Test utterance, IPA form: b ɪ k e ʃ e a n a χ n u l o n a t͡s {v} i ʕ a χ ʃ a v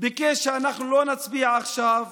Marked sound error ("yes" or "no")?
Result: yes